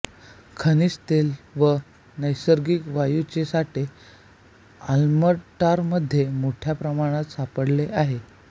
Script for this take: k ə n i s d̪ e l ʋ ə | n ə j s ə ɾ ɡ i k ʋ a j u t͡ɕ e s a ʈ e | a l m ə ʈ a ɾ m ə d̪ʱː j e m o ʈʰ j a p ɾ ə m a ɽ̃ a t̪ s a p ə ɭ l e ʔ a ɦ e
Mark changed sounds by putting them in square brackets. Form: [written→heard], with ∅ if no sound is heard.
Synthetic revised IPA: [k→kʰ] ə n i s [d̪→t̪] e l ʋ ə | n ə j s ə ɾ ɡ i k ʋ a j u t͡ɕ e s a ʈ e | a l m ə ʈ a ɾ m ə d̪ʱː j e m o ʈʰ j a p ɾ ə m a ɽ̃ a t̪ s a p ə [ɭ→ɽ] l e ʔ a ɦ e